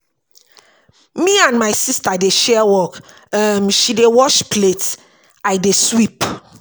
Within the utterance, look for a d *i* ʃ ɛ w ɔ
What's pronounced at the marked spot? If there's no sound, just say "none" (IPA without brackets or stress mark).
e